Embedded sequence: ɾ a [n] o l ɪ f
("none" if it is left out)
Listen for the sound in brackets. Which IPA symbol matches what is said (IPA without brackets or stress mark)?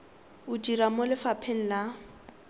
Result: m